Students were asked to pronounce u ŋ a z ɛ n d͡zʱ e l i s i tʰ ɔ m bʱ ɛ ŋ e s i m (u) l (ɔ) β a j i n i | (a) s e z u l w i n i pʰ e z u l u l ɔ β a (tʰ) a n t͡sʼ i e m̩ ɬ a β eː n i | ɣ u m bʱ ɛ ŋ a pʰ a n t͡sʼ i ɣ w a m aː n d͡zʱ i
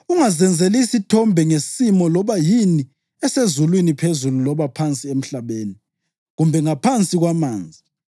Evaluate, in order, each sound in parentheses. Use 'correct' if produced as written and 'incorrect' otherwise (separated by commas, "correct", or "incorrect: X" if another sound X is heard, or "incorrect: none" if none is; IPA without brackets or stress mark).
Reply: incorrect: ɔ, correct, incorrect: ɛ, incorrect: pʰ